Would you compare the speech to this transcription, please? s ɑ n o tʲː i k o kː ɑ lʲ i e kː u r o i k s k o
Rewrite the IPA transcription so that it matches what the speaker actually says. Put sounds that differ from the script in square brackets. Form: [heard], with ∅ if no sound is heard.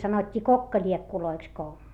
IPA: s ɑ n o tʲː [iː] k o kː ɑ lʲ i e kː u [l] o i k s k o